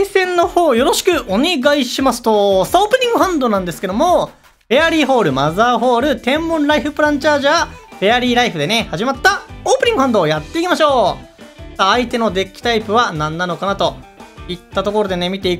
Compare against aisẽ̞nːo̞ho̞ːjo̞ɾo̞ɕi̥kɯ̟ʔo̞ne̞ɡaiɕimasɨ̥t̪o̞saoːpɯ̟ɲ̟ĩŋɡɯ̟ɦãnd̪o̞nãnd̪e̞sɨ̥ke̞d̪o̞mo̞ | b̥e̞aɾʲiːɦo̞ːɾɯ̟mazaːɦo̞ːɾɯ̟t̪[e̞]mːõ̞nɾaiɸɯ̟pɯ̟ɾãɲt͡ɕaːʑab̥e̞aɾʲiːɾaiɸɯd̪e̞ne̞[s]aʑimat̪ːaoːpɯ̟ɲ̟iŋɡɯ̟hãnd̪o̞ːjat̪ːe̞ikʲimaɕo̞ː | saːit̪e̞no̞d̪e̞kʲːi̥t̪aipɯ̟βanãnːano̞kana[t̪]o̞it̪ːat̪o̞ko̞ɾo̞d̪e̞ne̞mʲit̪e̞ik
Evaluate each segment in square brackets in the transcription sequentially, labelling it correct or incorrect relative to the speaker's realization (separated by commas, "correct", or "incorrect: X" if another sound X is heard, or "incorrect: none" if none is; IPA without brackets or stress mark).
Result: incorrect: ẽ̞, incorrect: h, correct